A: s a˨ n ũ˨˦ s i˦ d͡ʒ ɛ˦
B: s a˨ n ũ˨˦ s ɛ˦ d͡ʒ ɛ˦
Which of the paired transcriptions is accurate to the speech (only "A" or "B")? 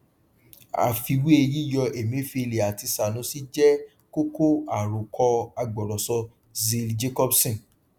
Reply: A